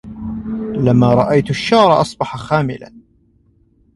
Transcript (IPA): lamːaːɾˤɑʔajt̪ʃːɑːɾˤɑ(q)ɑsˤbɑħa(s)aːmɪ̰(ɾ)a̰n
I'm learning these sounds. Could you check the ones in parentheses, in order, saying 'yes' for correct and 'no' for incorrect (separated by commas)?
no, no, no